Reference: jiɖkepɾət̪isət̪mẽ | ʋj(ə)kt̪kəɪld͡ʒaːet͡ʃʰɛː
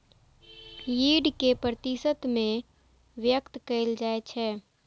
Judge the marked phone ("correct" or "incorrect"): correct